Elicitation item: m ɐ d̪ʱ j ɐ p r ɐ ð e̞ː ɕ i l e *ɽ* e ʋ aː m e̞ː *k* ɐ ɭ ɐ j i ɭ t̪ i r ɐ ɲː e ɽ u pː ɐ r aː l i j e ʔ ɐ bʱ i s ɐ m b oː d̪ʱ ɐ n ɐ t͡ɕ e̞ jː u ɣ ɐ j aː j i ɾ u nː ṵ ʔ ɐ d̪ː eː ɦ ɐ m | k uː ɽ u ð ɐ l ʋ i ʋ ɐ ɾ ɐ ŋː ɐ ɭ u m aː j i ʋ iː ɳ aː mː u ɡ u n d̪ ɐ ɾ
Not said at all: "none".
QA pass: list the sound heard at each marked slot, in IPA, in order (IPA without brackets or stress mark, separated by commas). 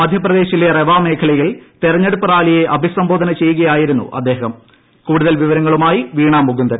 r, kʰ